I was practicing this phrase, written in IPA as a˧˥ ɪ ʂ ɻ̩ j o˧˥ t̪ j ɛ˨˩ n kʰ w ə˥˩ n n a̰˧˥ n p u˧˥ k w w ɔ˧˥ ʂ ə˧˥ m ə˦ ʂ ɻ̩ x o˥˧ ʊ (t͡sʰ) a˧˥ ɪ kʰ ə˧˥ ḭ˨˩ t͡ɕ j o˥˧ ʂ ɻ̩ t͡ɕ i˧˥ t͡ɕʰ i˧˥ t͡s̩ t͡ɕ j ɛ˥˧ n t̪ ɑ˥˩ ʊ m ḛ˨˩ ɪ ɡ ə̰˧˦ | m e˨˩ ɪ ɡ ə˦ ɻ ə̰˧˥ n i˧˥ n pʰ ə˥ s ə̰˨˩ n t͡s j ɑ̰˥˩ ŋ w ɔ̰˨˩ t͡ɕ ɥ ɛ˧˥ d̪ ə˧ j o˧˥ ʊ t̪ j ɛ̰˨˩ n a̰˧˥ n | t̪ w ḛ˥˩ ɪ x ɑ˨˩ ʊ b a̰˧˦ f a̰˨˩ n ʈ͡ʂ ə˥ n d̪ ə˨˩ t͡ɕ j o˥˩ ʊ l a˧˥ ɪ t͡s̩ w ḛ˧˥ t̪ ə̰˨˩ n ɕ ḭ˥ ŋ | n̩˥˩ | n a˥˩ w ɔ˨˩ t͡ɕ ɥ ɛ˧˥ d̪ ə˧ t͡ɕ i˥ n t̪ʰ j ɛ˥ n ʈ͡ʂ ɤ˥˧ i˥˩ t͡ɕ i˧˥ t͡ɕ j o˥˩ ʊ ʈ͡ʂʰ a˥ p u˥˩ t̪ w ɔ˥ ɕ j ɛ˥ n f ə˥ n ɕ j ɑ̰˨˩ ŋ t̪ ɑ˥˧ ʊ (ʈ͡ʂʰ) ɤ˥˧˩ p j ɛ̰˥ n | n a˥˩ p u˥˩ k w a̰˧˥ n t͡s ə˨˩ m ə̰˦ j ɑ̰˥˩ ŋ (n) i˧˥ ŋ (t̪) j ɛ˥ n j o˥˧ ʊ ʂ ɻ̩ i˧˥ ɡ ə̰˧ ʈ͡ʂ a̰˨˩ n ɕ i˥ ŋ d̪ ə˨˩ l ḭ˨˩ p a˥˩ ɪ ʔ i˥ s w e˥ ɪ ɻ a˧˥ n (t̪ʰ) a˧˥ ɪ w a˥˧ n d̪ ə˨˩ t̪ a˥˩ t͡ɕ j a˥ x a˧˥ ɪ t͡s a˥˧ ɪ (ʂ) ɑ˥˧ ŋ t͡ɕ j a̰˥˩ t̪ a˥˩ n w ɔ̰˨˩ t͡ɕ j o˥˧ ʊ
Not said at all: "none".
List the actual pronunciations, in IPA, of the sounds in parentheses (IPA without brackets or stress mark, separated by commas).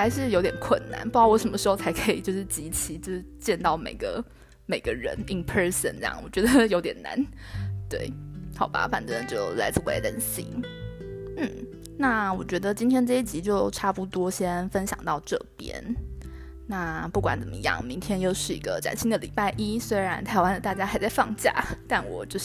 t͡sʰ, ʈ͡ʂ, m, t̪ʰ, t̪ʰ, f